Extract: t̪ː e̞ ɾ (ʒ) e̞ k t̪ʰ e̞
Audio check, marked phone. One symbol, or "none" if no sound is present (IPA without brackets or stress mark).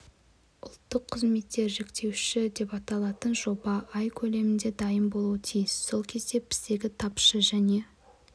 ʒ